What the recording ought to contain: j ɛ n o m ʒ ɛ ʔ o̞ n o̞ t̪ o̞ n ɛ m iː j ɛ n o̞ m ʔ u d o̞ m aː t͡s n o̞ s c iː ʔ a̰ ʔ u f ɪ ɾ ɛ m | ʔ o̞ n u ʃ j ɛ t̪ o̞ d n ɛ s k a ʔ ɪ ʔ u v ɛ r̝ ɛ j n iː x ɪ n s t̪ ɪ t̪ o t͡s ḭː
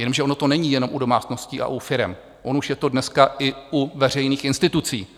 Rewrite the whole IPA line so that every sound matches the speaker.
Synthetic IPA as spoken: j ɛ n o m ʒ ɛ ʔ o̞ n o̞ t̪ o̞ n ɛ ɲ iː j ɛ n o̞ m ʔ u d o̞ m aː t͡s n o̞ s c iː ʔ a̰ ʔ u f ɪ ɾ ɛ m | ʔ o̞ n u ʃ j ɛ t̪ o̞ d n ɛ s k a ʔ ɪ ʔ u v ɛ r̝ ɛ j n iː x ɪ n s t̪ ɪ t̪ u t͡s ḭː